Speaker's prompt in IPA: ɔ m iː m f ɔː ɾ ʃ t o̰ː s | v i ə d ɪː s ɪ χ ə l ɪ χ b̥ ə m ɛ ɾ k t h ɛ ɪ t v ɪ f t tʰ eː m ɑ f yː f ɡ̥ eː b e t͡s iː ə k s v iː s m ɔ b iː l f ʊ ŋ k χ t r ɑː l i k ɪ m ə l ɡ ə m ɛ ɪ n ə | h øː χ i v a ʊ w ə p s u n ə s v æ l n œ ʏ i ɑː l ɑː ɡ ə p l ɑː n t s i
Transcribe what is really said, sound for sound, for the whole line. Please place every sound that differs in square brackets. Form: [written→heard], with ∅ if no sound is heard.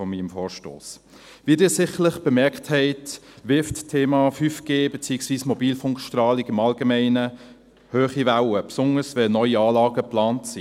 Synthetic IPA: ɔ m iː m f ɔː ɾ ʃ t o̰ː s | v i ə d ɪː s ɪ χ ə l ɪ χ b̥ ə m ɛ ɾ k t h ɛ ɪ t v ɪ f t tʰ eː m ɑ f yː f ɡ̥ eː b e t͡s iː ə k s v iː s m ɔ b iː l f ʊ ŋ k [χ→ʃ] t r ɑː l i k ɪ m [ə→ɑ] l ɡ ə m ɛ ɪ n ə | h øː χ i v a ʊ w ə p s [u→ʊ] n ə s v [æ→ɛ] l n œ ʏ i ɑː l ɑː ɡ ə p l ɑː n t s i